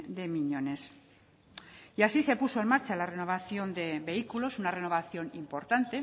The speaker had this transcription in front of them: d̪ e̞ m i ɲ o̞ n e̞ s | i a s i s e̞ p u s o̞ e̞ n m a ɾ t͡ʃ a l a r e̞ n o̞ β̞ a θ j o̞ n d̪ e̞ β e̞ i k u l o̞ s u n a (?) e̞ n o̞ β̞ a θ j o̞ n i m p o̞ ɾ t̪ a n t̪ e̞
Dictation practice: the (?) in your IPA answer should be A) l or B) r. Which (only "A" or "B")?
B